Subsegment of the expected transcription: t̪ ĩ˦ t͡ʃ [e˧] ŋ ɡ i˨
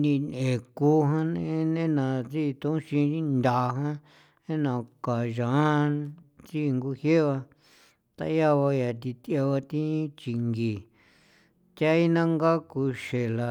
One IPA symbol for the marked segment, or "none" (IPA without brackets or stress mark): i˧